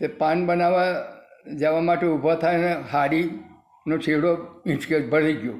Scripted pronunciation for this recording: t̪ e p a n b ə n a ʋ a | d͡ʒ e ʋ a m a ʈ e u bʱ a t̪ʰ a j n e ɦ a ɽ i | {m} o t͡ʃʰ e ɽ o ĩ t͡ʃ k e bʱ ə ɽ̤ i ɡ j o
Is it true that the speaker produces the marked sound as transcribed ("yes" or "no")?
no